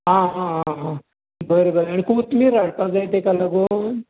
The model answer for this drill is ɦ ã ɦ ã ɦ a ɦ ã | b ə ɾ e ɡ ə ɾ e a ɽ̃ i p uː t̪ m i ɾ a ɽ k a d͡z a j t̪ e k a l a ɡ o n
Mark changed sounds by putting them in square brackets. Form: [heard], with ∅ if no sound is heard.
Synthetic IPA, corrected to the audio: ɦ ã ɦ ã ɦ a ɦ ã | b ə ɾ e [b] ə ɾ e a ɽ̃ i [k] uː t̪ m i ɾ a ɽ [p] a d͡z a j t̪ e k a l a ɡ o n